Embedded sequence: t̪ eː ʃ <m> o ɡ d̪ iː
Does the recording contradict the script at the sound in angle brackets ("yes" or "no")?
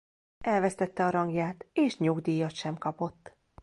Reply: yes